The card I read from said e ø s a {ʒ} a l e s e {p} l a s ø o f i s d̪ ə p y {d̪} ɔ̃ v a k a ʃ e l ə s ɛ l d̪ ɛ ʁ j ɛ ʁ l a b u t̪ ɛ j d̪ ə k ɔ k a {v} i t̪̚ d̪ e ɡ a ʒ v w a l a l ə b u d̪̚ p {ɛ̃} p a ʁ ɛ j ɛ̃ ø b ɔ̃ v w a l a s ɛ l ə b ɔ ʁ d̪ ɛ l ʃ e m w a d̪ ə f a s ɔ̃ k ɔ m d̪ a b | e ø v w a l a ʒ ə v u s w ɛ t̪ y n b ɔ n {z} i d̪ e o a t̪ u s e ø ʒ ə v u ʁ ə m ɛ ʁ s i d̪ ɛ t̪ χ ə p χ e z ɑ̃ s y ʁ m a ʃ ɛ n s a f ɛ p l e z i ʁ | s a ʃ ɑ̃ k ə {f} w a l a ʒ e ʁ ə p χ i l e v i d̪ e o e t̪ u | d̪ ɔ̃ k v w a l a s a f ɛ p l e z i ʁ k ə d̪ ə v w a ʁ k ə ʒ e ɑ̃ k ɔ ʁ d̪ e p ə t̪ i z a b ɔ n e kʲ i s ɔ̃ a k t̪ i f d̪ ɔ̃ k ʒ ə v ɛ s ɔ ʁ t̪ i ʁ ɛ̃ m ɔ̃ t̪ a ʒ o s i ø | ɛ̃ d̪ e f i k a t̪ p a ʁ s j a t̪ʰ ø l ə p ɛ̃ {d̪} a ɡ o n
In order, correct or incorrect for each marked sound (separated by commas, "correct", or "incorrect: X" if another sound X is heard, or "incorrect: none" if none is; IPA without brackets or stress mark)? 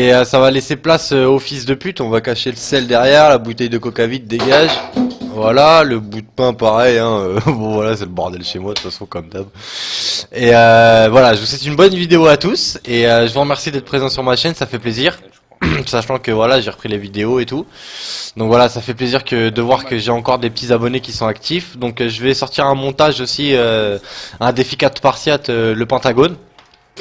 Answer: incorrect: v, correct, incorrect: t̪, correct, correct, incorrect: v, incorrect: v, incorrect: t̪